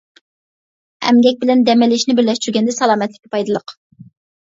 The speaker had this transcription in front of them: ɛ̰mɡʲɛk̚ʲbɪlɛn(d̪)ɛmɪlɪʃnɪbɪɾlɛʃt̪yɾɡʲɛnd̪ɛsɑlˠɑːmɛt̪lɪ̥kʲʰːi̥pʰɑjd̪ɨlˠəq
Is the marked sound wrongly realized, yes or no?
no